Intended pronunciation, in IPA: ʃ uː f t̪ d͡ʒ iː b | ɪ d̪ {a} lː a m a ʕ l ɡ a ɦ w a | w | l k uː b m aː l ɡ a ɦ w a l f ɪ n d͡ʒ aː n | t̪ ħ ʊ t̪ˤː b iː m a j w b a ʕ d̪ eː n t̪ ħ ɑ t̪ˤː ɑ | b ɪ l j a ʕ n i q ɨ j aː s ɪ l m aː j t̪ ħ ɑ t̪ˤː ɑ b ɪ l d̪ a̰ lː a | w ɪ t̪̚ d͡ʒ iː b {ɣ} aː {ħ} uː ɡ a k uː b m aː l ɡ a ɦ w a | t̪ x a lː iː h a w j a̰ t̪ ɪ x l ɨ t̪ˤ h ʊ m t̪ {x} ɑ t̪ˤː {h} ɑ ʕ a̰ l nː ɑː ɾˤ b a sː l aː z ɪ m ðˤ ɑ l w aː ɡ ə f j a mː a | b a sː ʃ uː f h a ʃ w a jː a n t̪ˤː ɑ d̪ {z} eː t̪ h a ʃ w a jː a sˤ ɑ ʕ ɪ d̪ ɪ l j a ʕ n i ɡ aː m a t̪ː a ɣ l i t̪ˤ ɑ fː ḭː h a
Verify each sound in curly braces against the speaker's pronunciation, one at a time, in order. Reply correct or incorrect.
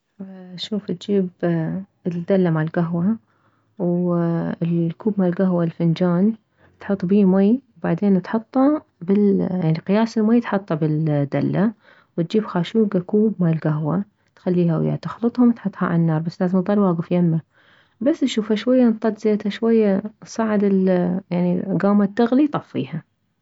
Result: correct, incorrect: x, incorrect: ʃ, incorrect: ħ, correct, correct

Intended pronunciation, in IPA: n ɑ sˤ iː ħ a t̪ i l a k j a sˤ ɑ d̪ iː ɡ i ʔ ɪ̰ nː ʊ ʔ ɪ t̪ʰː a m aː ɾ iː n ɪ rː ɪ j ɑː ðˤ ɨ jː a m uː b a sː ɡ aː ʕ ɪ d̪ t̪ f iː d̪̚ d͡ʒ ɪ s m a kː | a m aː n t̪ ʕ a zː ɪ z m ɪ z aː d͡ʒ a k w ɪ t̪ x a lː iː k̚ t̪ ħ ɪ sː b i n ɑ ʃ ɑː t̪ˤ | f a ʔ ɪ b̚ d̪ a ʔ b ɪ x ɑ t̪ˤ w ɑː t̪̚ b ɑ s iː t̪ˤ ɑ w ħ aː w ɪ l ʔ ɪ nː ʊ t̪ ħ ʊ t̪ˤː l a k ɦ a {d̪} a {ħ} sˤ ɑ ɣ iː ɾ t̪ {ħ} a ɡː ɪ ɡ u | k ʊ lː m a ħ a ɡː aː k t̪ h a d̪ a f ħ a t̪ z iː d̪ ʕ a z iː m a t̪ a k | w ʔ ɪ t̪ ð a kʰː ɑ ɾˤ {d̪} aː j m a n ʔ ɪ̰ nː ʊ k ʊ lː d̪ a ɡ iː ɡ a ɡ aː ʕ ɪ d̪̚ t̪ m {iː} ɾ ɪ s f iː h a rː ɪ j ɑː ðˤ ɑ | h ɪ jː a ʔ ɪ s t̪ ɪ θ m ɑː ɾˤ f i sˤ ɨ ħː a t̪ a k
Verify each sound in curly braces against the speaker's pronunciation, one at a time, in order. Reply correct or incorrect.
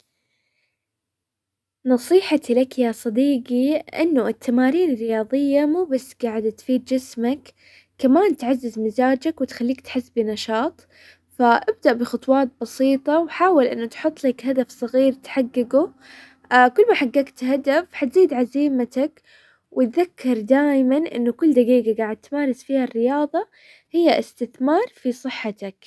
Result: correct, incorrect: f, correct, correct, incorrect: aː

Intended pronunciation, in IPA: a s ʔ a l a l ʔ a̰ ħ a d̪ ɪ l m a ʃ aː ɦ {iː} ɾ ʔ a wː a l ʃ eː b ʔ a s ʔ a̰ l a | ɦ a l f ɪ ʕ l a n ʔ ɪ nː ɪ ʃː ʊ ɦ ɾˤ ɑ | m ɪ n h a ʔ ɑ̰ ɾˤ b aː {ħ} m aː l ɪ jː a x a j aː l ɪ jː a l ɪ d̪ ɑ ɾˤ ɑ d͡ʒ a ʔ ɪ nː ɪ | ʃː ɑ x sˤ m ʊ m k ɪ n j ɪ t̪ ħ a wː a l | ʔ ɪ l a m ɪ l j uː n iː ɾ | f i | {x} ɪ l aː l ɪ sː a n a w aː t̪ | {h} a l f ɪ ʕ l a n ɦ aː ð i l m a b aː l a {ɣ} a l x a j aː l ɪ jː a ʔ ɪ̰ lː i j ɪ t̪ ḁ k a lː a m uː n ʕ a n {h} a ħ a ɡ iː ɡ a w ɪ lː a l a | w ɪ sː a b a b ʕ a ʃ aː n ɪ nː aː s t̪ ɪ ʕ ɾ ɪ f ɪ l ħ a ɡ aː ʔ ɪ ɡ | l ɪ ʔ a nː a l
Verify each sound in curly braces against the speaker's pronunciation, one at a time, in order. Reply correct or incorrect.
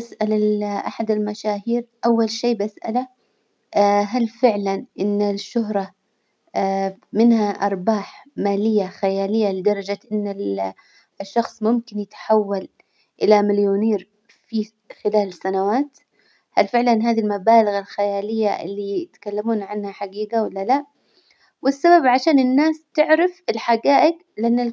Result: correct, correct, correct, correct, correct, correct

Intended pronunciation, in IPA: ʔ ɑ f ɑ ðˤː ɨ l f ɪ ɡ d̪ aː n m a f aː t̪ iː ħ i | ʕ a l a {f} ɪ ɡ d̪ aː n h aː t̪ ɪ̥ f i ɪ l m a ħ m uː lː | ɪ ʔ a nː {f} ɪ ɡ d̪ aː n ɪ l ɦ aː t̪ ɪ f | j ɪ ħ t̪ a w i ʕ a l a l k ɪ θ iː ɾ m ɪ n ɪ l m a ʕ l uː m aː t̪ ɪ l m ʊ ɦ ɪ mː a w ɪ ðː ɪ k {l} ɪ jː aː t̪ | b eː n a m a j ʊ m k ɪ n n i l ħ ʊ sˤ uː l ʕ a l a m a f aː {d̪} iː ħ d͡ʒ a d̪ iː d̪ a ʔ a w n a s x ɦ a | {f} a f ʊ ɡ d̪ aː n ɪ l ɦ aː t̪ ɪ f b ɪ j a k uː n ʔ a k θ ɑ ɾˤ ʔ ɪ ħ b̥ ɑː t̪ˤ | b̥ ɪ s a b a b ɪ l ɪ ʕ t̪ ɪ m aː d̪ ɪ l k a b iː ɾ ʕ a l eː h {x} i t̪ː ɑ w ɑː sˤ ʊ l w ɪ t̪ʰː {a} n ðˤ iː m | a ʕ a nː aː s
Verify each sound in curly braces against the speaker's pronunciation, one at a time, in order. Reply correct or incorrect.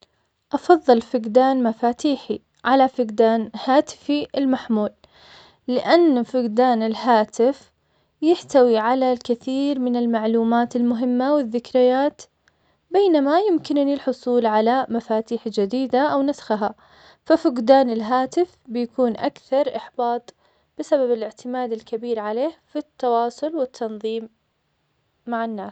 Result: correct, correct, incorrect: ɾ, incorrect: t̪, correct, incorrect: f, incorrect: ɑ

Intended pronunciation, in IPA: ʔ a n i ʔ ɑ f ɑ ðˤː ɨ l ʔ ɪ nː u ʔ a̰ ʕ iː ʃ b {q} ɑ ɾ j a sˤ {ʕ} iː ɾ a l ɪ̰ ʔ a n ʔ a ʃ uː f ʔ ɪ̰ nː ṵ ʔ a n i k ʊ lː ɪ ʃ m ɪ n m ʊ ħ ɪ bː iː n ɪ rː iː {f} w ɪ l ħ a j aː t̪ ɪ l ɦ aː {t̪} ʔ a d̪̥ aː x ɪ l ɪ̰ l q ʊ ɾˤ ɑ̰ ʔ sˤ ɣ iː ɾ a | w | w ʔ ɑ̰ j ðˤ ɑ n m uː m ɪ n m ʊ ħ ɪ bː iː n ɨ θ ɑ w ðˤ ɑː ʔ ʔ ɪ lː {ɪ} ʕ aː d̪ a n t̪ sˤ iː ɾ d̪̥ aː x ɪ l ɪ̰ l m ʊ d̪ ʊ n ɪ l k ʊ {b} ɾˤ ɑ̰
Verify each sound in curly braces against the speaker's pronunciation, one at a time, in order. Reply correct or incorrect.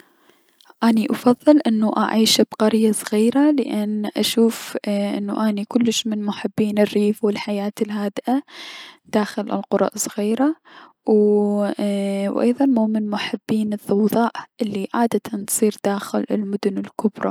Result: correct, incorrect: ɣ, correct, incorrect: d̪, incorrect: i, correct

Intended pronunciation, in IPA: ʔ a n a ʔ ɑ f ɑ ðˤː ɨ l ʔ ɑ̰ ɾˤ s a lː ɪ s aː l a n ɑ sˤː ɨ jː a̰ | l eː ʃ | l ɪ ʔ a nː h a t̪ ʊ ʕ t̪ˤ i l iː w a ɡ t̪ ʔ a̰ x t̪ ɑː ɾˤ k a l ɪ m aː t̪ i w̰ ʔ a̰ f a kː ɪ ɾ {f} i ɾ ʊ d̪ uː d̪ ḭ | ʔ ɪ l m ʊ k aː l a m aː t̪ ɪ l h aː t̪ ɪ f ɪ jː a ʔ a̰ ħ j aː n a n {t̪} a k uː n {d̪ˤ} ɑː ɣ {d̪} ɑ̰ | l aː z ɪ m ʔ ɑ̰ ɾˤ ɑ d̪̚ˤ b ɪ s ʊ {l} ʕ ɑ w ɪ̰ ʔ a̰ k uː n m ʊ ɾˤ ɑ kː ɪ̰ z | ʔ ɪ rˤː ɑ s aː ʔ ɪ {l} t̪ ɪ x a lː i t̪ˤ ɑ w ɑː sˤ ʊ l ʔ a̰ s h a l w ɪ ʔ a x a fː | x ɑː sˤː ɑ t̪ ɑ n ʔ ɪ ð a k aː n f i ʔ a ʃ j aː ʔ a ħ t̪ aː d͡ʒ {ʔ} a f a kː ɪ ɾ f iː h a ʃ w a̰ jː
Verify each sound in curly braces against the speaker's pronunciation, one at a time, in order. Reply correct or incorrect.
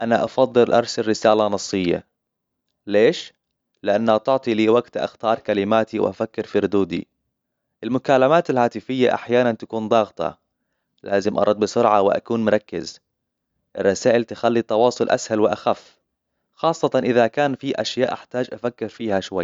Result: correct, correct, correct, incorrect: t̪, incorrect: ɾ, correct, correct

